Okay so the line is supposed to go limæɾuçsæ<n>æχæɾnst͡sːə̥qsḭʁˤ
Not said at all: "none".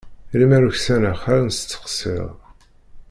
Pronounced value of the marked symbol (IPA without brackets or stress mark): n